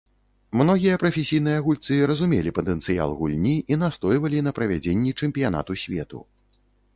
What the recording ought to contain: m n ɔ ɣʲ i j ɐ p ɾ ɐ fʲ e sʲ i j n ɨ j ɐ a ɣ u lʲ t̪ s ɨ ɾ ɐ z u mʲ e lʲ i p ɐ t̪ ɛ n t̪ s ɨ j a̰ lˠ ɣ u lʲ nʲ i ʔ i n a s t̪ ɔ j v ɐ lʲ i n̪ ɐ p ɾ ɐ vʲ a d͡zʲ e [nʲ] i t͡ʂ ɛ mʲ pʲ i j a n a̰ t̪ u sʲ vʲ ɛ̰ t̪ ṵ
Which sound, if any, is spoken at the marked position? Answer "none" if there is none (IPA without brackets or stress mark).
nʲː